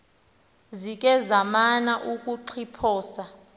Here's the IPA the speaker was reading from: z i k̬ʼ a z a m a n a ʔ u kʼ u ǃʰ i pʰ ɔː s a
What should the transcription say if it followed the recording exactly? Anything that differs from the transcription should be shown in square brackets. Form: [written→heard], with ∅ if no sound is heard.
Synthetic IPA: z i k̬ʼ [a→ɛ] z a m a n a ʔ u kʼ u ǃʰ i pʰ ɔː s a